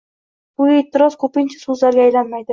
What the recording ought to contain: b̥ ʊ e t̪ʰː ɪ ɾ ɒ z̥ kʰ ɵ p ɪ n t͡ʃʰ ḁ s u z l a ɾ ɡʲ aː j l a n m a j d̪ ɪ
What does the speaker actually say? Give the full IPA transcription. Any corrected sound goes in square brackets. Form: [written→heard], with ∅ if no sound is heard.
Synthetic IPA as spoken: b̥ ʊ e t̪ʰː ɪ ɾ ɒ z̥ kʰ ɵ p ɪ n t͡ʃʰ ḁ s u z l a ɾ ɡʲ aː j l a n m a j d̪ ɪ